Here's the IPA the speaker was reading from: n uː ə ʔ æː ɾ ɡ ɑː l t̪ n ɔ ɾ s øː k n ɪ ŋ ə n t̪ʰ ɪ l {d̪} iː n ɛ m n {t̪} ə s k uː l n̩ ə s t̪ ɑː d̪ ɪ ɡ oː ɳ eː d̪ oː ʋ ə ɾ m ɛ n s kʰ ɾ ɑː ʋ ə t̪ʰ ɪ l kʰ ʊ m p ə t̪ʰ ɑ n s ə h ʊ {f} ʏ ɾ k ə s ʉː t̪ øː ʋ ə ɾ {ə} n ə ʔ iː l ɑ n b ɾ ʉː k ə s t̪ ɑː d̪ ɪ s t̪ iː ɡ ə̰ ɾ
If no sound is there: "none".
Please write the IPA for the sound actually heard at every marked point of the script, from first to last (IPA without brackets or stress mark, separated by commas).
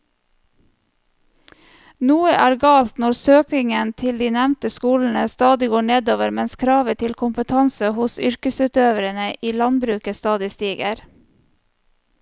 d̪, t̪, s, ə